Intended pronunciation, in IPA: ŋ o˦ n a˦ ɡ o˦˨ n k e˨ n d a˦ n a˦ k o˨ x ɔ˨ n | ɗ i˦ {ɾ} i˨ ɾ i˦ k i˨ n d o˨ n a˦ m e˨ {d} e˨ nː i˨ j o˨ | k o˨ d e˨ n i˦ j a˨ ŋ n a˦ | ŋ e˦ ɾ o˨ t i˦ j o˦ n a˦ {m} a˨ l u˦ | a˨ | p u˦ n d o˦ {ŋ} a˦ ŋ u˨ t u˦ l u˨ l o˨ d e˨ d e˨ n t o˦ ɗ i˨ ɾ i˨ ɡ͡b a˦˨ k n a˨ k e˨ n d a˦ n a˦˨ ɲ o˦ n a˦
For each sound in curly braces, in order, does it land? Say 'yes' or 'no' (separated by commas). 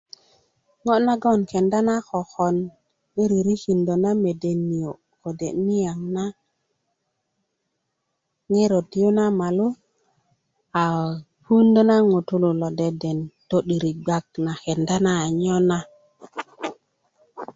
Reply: yes, yes, yes, no